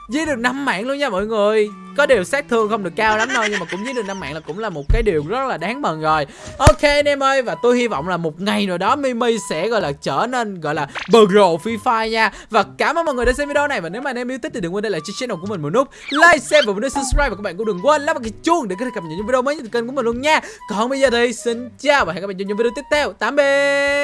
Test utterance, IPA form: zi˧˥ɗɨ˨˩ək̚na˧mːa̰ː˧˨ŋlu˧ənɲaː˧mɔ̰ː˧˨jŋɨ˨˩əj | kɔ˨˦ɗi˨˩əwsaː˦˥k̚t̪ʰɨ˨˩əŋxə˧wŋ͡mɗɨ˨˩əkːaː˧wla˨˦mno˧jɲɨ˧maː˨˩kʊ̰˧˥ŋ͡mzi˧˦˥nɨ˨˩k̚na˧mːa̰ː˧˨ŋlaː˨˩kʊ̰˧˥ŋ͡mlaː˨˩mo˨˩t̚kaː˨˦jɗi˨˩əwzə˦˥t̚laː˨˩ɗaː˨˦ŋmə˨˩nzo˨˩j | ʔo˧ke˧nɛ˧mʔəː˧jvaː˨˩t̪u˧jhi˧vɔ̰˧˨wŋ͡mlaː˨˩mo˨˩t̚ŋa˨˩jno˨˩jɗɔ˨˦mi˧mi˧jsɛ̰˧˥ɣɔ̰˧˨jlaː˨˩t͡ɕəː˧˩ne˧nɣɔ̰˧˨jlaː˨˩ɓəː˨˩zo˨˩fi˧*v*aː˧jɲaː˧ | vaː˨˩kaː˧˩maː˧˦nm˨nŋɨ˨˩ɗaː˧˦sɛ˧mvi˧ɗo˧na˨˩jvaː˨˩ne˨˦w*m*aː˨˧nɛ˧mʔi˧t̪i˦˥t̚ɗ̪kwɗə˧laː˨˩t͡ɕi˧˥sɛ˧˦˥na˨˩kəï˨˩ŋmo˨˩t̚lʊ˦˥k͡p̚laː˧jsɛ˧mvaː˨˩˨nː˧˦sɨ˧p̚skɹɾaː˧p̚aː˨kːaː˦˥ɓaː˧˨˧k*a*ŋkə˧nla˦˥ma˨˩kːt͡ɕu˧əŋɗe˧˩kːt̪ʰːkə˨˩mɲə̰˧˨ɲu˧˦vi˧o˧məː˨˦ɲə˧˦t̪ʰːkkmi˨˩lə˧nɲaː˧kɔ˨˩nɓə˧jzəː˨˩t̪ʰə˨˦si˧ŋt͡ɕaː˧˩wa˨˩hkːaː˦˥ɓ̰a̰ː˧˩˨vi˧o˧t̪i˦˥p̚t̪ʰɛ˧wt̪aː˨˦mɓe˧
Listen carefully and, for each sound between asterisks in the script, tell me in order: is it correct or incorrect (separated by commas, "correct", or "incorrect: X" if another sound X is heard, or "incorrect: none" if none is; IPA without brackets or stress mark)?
incorrect: f, correct, incorrect: ə